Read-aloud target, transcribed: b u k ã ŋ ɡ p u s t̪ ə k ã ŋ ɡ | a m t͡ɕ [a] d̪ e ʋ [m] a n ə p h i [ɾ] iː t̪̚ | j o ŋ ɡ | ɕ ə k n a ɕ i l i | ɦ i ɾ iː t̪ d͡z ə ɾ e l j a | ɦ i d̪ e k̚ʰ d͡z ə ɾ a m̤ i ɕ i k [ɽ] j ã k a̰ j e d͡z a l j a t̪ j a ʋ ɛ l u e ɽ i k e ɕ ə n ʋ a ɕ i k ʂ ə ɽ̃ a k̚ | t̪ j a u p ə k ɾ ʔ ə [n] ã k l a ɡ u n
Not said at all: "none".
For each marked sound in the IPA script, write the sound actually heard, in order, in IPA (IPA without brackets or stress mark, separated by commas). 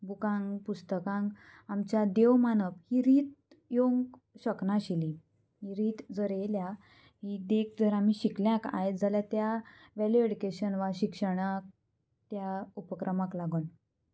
a, m, ɾ, l, m